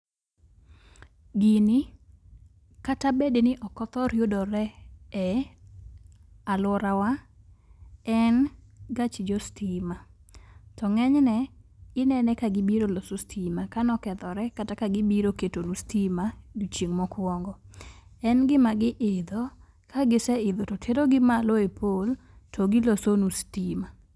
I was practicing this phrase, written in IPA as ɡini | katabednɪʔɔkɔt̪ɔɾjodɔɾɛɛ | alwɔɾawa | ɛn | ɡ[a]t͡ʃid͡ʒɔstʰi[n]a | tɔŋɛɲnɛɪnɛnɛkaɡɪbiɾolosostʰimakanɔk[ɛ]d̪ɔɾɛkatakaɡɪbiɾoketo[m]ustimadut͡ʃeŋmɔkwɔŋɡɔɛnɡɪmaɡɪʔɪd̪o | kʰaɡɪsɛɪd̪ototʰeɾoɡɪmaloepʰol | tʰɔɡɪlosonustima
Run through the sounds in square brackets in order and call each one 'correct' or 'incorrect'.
correct, incorrect: m, correct, incorrect: n

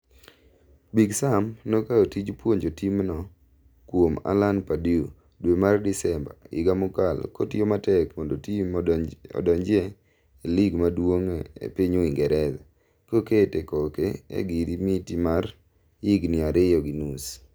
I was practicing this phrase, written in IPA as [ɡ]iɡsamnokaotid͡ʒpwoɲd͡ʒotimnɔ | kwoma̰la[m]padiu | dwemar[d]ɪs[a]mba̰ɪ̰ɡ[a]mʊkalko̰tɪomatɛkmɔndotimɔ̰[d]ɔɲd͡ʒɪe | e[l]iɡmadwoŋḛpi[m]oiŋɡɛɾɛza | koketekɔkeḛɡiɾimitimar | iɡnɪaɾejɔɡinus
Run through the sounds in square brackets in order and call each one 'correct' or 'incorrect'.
incorrect: b, incorrect: n, correct, incorrect: ɛ, correct, correct, correct, incorrect: ɲ

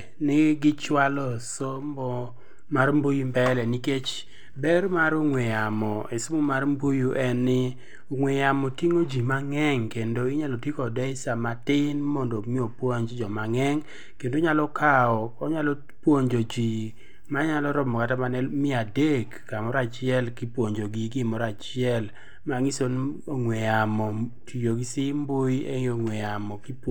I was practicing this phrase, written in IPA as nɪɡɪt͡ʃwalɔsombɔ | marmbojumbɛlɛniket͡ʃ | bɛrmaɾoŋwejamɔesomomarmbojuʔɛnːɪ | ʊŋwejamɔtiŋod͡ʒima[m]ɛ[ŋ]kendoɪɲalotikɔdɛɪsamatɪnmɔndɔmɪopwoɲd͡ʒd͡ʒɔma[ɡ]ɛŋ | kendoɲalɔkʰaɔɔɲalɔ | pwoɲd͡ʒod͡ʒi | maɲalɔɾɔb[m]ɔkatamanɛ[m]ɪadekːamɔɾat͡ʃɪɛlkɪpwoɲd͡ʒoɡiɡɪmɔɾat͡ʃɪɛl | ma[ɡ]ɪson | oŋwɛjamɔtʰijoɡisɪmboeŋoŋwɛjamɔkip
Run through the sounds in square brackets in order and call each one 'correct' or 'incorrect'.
incorrect: ŋ, correct, incorrect: ŋ, correct, correct, incorrect: ŋ

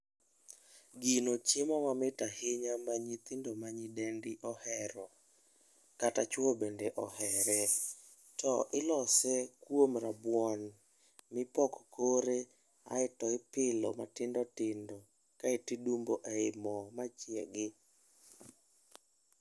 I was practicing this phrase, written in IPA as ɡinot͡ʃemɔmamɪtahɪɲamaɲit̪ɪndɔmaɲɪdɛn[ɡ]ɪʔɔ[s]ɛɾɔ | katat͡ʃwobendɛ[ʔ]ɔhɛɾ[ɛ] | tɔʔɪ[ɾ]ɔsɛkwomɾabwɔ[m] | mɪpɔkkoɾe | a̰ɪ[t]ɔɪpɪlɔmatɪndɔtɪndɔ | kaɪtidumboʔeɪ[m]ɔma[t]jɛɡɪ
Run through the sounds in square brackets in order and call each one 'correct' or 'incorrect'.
incorrect: d, incorrect: h, correct, correct, incorrect: l, incorrect: n, correct, correct, incorrect: t͡ʃ

